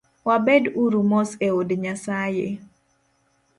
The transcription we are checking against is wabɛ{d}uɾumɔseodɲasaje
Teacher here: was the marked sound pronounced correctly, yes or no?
yes